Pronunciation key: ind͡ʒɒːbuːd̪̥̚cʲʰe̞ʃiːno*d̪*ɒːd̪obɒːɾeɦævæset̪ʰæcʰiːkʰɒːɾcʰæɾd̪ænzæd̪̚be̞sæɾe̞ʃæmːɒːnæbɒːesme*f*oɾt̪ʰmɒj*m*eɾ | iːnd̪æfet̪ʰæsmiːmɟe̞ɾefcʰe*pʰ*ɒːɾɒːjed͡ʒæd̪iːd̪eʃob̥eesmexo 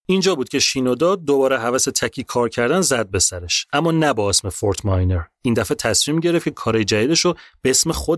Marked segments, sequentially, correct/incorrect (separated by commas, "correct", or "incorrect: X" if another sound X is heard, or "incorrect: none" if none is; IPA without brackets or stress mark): correct, correct, incorrect: n, incorrect: kʰ